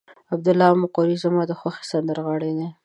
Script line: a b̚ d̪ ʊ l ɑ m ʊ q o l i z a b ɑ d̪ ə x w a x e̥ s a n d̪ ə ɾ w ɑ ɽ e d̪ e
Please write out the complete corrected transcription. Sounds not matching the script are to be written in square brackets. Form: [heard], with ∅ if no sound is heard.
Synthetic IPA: a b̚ d̪ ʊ l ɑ m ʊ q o [ɾ] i z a [m] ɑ d̪ ə x w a x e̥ s a n d̪ ə ɾ [ɣ] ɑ ɽ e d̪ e